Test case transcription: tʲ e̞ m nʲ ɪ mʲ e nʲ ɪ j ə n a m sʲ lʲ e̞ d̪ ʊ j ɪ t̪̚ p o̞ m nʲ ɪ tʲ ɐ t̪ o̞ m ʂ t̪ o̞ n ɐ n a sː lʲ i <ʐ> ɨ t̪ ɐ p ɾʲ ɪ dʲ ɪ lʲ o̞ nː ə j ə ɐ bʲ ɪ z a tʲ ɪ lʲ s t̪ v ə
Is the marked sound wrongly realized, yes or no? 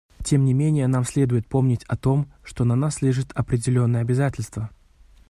no